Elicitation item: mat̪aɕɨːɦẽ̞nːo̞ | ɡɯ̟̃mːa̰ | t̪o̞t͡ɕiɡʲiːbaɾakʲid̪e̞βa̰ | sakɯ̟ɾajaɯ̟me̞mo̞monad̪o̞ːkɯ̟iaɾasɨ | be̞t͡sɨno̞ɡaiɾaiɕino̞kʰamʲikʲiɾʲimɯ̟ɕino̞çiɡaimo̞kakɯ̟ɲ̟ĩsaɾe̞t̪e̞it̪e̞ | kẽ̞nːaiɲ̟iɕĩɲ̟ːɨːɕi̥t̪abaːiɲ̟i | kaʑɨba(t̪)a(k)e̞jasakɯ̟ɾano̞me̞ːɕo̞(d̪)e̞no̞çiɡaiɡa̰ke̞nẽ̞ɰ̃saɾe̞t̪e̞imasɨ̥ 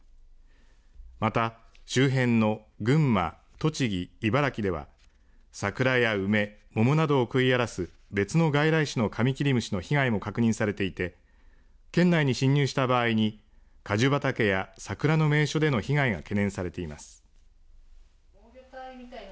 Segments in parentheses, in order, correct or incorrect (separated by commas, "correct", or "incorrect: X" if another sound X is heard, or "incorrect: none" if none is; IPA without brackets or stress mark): correct, correct, correct